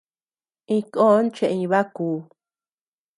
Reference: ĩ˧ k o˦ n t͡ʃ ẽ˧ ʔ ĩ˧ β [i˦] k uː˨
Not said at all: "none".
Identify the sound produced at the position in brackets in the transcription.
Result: a˦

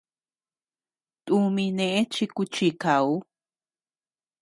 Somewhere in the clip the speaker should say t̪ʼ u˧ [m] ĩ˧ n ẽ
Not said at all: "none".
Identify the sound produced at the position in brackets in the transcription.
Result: m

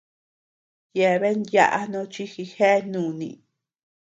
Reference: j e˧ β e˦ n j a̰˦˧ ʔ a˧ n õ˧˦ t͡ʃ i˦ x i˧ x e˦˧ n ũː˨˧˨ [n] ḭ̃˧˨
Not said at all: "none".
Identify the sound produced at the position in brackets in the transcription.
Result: n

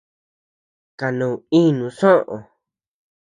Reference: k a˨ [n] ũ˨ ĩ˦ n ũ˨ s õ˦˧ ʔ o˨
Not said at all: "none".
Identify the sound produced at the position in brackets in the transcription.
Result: n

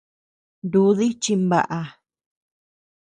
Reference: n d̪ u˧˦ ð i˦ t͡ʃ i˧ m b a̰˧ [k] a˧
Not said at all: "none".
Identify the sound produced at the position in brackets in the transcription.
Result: ʔ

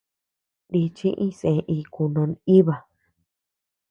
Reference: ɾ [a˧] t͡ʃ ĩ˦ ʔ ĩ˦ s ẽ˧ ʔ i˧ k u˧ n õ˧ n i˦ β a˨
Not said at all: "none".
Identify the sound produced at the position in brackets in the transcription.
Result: i˧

